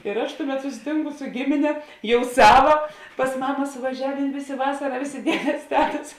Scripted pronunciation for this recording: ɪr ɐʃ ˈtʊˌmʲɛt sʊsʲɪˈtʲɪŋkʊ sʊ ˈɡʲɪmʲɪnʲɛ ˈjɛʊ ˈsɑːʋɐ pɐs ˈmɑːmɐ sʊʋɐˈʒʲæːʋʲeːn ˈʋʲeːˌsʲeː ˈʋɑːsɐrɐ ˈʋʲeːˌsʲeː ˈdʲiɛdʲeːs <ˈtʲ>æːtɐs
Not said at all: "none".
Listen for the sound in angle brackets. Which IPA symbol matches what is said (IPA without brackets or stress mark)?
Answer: tʲ